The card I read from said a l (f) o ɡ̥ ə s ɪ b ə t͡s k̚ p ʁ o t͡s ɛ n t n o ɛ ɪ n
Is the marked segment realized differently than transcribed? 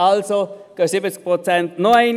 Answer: yes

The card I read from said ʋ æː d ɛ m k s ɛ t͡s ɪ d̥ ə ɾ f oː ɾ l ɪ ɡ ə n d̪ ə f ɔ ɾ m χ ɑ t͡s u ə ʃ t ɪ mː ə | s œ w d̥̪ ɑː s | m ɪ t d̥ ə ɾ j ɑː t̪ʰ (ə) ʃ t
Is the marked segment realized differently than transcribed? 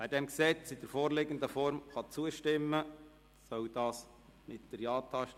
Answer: yes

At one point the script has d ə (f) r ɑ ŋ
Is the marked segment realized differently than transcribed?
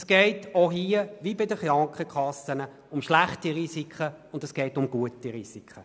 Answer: yes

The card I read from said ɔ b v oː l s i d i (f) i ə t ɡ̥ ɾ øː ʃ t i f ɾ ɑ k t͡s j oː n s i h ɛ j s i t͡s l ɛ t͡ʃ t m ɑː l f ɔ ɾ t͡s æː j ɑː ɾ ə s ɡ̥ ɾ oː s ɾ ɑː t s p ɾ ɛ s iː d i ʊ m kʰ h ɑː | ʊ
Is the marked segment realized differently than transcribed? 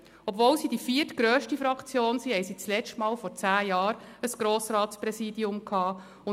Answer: no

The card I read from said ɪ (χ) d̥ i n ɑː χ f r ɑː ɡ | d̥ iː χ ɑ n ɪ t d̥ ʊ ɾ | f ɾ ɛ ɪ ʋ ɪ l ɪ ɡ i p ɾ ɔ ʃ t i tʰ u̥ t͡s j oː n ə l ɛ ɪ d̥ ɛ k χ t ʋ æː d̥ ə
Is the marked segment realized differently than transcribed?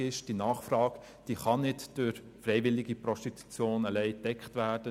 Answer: yes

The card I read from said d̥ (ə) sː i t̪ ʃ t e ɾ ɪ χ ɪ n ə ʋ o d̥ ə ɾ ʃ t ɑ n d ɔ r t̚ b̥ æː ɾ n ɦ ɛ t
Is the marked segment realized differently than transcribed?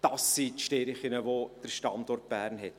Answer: yes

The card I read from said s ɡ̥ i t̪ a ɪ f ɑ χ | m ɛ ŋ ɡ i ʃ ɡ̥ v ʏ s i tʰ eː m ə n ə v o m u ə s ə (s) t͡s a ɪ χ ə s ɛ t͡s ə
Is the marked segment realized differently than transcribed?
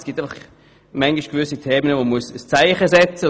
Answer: no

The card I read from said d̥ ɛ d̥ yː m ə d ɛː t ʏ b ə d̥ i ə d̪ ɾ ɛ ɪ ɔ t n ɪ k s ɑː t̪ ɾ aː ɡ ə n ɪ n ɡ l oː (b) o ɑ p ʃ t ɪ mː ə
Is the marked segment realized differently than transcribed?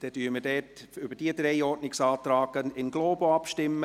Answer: no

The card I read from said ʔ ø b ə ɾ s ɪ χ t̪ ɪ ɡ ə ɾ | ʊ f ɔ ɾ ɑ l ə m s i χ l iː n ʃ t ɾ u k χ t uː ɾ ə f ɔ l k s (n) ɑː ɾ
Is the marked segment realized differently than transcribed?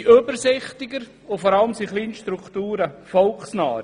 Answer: no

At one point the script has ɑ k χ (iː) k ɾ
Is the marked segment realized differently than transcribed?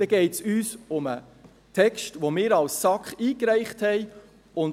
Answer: no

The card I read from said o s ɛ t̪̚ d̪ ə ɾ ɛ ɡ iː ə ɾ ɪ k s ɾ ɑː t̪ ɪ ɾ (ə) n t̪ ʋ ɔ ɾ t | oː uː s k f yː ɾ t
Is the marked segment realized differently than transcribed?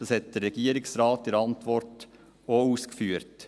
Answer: yes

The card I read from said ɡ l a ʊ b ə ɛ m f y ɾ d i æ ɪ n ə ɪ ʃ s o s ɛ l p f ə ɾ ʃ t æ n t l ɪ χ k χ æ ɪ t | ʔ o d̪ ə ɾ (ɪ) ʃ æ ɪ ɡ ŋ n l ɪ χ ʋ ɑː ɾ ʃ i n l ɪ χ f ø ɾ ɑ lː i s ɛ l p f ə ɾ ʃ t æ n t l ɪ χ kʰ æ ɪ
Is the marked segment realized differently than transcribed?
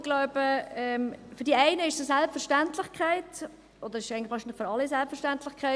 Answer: no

